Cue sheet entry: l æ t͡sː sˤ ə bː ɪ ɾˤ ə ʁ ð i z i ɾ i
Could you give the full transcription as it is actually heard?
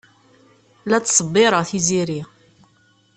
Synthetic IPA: l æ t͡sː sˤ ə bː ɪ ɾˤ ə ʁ θ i z i ɾ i